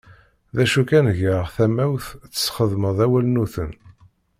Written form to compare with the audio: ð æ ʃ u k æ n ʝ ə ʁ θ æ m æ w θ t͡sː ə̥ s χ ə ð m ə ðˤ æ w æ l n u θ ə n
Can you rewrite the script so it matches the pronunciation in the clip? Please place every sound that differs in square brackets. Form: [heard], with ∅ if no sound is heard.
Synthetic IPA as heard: ð æ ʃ u k æ n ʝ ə ʁ θ æ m æ w θ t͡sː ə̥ s χ ə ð m ə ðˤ æ w æ l n u θ ə n